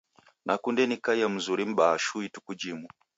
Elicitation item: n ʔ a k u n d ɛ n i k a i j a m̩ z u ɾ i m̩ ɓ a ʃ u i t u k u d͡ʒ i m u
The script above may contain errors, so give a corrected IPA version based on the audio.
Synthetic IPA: n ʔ a k u n d ɛ n i k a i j a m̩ z u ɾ i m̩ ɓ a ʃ u i t u k u d͡ʒ i m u